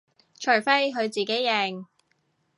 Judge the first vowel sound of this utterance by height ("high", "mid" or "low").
mid